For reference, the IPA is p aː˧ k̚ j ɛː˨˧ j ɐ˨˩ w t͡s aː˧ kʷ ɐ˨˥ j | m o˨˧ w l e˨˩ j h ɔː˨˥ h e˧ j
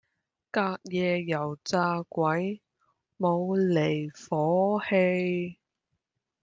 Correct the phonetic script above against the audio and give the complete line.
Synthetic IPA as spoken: k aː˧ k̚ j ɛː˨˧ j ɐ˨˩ w t͡s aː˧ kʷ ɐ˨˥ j | m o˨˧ w l e˨˩ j f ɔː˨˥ h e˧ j

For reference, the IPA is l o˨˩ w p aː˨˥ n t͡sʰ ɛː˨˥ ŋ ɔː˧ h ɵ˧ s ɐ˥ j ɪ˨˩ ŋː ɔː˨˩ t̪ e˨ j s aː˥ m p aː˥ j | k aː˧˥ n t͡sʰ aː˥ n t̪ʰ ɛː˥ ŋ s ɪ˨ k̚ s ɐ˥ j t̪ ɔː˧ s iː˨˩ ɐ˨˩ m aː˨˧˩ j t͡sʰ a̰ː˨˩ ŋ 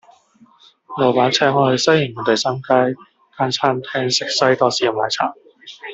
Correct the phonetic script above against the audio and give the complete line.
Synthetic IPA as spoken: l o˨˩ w p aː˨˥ n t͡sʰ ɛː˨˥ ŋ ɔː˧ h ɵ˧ s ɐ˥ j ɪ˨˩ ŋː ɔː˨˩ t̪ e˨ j s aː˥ m k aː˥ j | k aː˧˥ n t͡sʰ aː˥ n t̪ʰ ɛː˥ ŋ s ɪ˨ k̚ s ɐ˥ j t̪ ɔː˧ s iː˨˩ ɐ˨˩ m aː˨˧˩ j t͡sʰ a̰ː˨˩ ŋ

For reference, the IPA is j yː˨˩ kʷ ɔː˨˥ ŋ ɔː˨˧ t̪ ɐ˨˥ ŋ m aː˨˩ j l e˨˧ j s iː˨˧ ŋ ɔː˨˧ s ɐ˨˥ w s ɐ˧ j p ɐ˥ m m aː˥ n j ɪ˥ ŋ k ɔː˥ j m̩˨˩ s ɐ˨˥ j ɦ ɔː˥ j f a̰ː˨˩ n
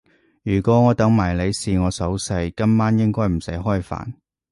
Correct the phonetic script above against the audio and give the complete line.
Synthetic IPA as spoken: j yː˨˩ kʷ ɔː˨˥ ŋ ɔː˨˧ t̪ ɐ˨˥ ŋ m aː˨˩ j l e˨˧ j s iː˨˧ ŋ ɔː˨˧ s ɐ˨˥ w s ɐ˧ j k ɐ˥ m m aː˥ n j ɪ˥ ŋ k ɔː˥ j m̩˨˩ s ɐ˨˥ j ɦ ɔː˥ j f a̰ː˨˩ n

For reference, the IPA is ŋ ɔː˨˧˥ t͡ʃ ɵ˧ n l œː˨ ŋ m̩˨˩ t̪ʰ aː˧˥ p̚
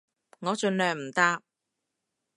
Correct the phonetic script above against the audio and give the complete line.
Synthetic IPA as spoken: ŋ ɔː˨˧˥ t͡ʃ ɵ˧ n l œː˨ ŋ m̩˨˩ t̪ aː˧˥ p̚

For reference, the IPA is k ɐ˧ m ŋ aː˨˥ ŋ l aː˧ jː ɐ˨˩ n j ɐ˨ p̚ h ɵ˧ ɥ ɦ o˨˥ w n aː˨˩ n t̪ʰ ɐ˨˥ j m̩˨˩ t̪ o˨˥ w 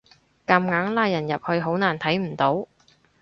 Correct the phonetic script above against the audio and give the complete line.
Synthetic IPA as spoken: k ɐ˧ m ŋ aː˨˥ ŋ l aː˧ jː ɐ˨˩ n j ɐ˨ p̚ h ɵ˧ ɥ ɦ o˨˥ w n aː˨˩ n t̪ʰ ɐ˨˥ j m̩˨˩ t̪ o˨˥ w

